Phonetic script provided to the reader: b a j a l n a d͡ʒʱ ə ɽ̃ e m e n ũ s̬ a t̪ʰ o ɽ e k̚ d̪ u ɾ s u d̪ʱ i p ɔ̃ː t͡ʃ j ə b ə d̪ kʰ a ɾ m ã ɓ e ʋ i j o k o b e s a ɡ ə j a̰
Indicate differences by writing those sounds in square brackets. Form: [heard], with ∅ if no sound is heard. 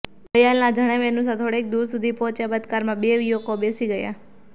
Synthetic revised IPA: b [ə] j a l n a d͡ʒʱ ə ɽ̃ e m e n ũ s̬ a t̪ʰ o ɽ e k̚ d̪ u ɾ s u d̪ʱ i p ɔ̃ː t͡ʃ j [a] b ə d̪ [k] a ɾ m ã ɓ e ʋ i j o k o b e s [i] ɡ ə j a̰